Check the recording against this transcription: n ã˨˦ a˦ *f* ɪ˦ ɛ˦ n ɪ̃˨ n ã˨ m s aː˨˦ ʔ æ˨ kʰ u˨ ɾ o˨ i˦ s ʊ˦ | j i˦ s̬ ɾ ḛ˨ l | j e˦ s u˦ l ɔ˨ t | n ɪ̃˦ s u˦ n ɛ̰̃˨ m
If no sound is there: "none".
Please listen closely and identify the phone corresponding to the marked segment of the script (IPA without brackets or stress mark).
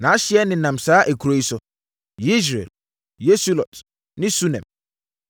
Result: ɕ